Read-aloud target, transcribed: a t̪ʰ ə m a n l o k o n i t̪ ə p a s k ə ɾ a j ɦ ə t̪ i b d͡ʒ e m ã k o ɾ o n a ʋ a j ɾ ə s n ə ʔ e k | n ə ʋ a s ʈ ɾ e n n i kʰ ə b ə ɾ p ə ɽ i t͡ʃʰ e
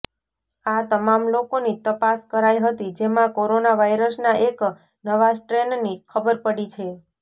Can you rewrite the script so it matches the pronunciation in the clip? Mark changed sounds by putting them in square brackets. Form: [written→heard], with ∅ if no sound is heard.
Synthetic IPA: a [t̪ʰ→t̪] ə m a [n→m] l o k o n i t̪ ə p a s k ə ɾ a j ɦ ə t̪ i [b→∅] d͡ʒ e m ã k o ɾ o n a ʋ a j ɾ ə s n [ə→a] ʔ e k | n ə ʋ a s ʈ ɾ e n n i kʰ ə b ə ɾ p ə ɽ i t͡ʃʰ e